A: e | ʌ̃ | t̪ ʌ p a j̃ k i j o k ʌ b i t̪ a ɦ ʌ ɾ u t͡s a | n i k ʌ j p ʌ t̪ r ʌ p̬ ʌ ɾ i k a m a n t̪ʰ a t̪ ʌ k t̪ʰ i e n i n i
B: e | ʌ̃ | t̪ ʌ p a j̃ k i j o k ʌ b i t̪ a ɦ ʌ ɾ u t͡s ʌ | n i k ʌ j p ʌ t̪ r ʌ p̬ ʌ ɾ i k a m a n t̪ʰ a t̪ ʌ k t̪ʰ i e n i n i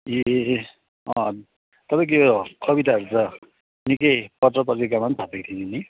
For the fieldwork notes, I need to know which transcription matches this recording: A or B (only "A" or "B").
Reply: B